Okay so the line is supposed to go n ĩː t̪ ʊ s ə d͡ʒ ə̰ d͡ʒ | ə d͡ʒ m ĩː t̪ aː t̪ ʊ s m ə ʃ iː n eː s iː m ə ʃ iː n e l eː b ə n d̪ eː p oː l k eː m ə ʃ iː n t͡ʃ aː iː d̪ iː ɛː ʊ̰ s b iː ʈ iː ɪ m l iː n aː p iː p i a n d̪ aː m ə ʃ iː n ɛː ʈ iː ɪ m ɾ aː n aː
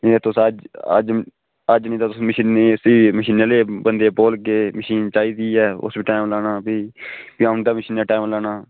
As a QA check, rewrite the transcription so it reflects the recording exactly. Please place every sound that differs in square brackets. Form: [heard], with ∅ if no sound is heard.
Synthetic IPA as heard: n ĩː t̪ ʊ s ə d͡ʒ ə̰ d͡ʒ | ə d͡ʒ [n] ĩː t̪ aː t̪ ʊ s m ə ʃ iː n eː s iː m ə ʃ iː n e l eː b ə n d̪ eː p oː l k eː m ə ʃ iː n t͡ʃ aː iː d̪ iː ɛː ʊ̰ s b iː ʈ [aː] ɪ m l [aː] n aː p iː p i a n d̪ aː m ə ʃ iː n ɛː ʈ [aː] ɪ m [l] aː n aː